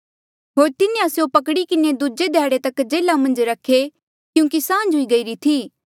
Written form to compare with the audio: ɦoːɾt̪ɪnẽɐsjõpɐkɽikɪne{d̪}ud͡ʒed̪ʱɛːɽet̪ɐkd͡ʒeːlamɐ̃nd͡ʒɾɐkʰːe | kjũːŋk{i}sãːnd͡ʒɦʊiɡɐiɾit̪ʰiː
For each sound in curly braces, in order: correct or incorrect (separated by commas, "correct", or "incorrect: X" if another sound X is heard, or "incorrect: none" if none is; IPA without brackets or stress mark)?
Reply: correct, correct